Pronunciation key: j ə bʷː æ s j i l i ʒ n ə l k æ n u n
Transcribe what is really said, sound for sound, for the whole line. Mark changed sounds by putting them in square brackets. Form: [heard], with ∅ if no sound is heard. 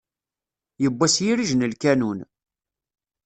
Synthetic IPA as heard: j ə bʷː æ s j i [ɾ] i ʒ n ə l k æ n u n